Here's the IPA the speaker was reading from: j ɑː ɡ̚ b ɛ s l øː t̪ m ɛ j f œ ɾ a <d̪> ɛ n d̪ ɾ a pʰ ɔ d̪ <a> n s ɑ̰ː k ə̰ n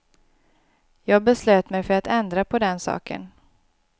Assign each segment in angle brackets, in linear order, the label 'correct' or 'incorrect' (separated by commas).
incorrect, incorrect